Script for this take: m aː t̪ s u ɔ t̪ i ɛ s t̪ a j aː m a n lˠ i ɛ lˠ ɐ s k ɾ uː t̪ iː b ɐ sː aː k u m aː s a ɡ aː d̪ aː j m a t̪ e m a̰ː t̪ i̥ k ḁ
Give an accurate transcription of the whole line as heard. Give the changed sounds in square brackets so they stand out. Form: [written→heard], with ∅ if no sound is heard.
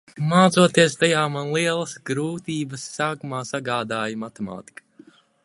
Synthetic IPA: m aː t̪ s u ɔ t̪ i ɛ s t̪ a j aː m a n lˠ i ɛ lˠ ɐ s [k→ɡ] ɾ uː t̪ iː b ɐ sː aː k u m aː s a ɡ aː d̪ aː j m a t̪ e m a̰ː t̪ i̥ k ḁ